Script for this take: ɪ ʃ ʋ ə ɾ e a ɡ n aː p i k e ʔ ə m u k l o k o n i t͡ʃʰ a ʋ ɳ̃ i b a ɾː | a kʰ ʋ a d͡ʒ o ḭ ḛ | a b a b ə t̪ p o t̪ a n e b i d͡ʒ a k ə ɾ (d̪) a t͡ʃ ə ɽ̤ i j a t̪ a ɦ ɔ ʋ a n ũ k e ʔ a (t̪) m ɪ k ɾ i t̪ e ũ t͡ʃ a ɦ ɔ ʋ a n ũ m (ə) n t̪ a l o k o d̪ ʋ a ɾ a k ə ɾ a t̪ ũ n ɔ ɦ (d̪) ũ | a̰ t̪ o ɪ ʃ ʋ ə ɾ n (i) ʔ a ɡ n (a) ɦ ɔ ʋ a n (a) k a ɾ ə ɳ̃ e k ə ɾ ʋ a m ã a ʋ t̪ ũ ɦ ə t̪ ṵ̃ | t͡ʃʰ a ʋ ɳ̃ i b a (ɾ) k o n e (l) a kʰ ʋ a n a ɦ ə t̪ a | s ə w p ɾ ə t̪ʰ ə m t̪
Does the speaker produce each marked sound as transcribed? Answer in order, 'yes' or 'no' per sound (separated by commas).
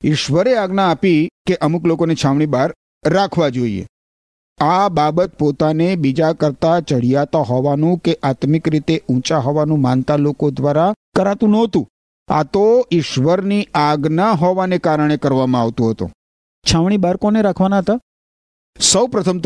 no, yes, no, no, yes, yes, no, yes, no